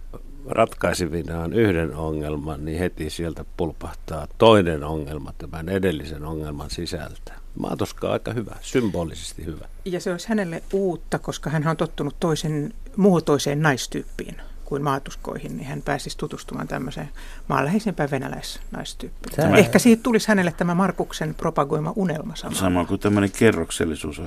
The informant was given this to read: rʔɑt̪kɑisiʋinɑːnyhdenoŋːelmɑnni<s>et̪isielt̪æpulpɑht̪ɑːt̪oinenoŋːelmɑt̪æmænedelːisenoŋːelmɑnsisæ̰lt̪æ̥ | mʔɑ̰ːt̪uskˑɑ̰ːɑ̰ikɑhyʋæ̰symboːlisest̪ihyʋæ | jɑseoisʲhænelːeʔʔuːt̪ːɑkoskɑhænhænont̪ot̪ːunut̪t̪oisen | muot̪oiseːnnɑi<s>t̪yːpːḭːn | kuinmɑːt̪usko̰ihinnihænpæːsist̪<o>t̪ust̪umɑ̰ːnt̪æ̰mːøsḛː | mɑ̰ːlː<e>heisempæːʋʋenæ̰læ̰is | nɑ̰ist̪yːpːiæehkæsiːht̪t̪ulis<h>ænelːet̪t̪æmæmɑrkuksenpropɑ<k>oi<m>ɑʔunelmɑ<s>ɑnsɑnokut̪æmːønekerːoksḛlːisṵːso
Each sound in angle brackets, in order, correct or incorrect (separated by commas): incorrect, correct, incorrect, incorrect, correct, incorrect, correct, correct